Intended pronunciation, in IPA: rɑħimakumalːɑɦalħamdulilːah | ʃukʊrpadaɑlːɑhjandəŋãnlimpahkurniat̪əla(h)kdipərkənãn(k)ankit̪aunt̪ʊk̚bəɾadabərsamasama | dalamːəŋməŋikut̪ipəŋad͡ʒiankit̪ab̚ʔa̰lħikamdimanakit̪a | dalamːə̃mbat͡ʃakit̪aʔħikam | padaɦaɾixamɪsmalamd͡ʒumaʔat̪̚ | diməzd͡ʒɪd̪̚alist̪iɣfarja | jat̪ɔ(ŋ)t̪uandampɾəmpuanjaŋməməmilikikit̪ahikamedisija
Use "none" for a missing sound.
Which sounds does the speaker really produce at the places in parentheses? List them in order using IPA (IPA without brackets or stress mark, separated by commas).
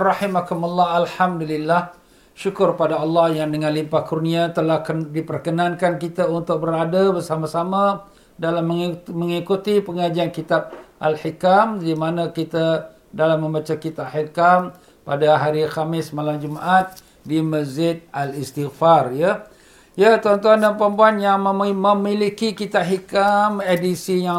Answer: h, k, n